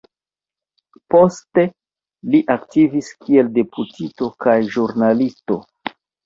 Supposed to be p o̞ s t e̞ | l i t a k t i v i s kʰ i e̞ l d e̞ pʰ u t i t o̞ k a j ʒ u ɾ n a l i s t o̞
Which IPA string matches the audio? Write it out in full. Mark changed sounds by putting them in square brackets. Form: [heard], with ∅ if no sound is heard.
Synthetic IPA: p o̞ s t e̞ | l i [ʔ] a k t i v i s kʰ i e̞ l d e̞ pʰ u t i t o̞ k a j ʒ u ɾ n a l i s t o̞